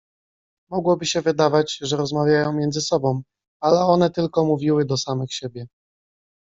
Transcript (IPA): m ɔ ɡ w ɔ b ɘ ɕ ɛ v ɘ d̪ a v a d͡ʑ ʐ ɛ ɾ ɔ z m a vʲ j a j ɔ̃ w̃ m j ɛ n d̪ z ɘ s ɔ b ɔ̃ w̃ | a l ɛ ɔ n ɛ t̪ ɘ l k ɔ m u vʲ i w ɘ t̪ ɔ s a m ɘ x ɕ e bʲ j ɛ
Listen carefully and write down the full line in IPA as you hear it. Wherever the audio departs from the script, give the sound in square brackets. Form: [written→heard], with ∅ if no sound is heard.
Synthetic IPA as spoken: m ɔ ɡ w ɔ b ɘ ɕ ɛ v ɘ d̪ a v a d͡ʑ ʐ ɛ ɾ ɔ z m a vʲ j a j ɔ̃ w̃ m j ɛ n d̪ z ɘ s ɔ b ɔ̃ w̃ | a l ɛ ɔ n ɛ t̪ ɘ l k ɔ m u vʲ i w ɘ [t̪→d̪] ɔ s a m ɘ x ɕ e bʲ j ɛ